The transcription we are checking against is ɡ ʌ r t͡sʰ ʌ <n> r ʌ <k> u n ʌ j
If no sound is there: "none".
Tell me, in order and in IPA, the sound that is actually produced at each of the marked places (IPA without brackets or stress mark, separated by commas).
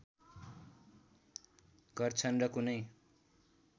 n, k